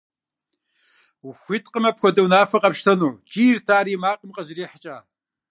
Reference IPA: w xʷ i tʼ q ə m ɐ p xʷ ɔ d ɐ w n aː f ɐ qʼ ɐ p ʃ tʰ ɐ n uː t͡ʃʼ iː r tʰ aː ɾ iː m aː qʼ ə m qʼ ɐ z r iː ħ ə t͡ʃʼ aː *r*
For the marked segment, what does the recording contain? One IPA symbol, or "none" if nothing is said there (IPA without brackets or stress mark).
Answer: none